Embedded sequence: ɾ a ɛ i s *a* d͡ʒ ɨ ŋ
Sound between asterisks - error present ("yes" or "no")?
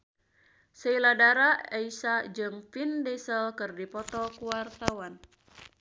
no